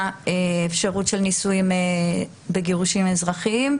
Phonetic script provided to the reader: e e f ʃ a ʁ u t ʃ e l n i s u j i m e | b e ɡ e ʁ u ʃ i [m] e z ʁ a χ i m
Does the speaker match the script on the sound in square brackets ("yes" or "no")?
yes